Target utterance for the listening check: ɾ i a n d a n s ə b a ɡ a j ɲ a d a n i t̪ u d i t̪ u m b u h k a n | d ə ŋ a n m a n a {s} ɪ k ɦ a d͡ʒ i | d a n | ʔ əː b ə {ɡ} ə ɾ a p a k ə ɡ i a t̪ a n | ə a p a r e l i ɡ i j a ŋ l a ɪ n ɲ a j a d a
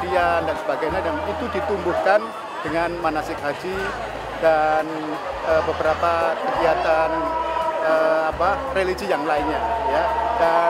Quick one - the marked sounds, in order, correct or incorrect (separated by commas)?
correct, incorrect